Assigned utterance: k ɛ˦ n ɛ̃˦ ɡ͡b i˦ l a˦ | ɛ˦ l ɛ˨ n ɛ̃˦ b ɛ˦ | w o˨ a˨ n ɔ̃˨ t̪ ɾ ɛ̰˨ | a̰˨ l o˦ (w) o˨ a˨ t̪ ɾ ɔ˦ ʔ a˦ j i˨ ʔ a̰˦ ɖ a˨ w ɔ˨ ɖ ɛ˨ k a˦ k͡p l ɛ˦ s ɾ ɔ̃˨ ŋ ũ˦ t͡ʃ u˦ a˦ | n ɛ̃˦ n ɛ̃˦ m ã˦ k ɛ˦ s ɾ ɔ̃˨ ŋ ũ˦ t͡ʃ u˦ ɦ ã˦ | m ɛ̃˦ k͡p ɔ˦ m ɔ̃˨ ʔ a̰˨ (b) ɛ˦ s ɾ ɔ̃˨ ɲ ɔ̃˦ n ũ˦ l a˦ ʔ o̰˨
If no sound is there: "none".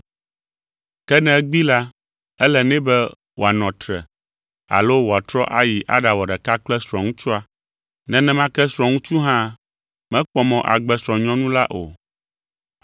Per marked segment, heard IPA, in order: w, ɡ͡b

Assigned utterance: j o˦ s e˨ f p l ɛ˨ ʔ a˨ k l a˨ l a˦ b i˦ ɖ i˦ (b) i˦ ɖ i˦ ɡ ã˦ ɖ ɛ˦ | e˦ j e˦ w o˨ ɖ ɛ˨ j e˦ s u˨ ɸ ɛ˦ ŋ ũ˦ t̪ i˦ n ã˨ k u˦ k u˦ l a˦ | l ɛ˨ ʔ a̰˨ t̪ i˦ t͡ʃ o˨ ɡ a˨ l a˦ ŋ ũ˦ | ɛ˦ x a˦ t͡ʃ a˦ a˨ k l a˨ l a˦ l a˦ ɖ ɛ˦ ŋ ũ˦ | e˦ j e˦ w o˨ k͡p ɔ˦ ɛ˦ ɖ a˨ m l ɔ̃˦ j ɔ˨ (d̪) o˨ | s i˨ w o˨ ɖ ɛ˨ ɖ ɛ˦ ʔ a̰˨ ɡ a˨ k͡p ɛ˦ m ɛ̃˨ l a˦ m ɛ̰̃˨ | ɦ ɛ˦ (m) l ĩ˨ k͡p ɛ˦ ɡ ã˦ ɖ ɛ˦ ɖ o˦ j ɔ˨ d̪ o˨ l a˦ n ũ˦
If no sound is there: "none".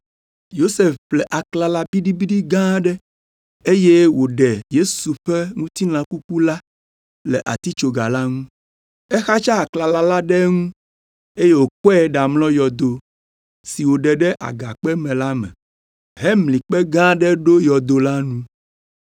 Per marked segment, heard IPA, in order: b, d̪, m

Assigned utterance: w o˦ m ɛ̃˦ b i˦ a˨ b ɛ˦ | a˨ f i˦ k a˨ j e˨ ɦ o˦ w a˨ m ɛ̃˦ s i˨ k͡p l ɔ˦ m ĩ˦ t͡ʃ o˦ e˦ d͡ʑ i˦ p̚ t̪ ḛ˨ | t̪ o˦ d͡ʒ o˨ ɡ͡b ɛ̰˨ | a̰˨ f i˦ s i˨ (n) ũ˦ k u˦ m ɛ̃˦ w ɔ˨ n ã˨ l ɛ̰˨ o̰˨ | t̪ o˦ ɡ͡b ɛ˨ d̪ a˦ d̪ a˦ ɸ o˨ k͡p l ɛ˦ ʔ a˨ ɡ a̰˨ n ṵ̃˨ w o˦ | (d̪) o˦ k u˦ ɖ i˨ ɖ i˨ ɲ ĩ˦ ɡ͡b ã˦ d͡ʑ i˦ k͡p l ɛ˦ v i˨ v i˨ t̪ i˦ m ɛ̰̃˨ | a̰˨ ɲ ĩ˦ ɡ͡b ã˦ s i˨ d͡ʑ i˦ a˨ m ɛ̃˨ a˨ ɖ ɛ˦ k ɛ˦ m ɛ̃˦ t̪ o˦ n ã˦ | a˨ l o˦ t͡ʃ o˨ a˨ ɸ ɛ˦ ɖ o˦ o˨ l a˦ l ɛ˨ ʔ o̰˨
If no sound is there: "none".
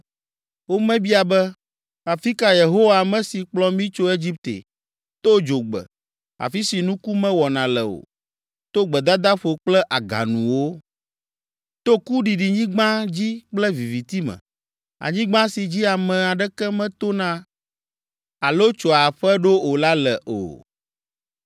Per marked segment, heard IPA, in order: n, t̪

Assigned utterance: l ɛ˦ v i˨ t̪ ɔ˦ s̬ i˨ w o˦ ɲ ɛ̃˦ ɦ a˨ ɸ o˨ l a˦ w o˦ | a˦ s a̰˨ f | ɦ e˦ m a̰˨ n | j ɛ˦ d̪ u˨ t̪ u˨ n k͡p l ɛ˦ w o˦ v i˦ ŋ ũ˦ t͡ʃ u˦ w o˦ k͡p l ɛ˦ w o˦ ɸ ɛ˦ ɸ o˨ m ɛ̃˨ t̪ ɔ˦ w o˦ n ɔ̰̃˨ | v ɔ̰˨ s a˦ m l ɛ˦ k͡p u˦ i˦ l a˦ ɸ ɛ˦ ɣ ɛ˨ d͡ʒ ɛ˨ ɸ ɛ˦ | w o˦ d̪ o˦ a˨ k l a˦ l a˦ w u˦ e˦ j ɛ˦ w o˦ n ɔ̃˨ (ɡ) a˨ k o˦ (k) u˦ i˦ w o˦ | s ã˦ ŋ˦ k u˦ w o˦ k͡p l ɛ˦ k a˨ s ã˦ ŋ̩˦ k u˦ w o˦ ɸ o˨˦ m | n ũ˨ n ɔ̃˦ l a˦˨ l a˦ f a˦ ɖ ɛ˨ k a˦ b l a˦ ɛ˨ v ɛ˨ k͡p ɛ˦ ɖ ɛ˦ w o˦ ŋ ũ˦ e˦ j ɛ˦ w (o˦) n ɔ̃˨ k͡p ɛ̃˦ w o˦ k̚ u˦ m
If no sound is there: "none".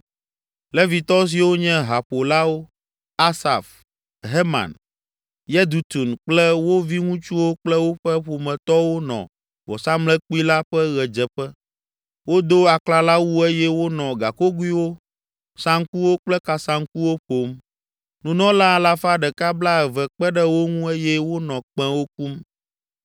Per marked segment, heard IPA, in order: ɡ, ɡ, o˦

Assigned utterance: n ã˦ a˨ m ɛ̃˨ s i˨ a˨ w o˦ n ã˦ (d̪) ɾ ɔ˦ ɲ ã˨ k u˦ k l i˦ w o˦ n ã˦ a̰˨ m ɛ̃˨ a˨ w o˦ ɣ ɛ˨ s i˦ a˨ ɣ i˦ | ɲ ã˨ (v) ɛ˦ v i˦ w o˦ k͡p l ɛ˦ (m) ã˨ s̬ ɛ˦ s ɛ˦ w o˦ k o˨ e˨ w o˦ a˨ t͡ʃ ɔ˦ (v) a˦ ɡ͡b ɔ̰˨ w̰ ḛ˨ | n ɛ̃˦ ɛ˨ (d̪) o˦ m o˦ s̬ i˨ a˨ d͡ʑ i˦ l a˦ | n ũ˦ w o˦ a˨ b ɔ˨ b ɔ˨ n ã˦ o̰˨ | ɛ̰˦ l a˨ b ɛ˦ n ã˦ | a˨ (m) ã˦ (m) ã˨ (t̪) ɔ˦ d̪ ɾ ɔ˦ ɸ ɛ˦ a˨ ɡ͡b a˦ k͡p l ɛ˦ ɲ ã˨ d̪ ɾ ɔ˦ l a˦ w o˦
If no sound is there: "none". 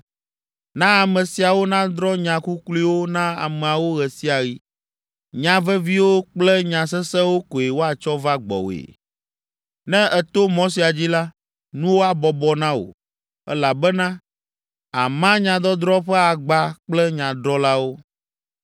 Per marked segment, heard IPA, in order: d̪, v, ɲ, v, t̪, m, ɲ, d̪

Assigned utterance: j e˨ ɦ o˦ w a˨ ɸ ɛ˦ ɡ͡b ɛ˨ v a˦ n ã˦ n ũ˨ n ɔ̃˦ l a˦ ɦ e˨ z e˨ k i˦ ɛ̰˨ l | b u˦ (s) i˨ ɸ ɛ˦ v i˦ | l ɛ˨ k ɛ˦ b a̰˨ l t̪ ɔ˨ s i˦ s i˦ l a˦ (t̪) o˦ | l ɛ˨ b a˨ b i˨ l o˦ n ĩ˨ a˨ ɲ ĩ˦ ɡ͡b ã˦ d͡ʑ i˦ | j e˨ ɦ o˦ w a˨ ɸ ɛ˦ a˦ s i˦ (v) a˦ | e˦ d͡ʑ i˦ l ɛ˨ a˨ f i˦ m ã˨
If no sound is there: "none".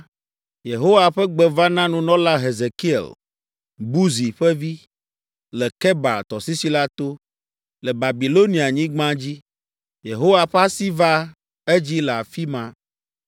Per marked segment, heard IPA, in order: z, t̪, v

